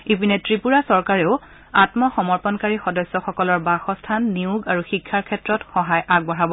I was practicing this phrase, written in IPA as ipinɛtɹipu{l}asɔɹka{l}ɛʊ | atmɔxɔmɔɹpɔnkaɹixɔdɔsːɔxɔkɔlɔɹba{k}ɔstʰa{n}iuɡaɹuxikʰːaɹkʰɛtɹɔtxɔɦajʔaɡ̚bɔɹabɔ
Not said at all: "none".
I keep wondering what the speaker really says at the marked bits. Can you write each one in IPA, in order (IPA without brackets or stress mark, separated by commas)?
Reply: ɹ, ɹ, x, nː